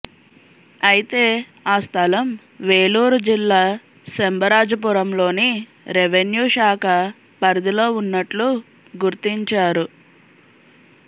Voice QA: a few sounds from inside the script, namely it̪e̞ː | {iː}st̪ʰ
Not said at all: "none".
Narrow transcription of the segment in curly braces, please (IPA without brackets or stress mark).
aː